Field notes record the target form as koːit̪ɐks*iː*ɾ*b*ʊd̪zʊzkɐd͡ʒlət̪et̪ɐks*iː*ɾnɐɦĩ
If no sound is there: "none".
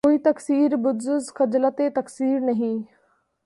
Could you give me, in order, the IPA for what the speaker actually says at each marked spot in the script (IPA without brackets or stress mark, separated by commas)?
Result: iː, b, iː